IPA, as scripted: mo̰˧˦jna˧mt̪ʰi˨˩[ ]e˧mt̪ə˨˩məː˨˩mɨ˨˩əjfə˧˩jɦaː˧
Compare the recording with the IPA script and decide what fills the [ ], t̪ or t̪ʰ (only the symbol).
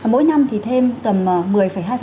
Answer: t̪ʰ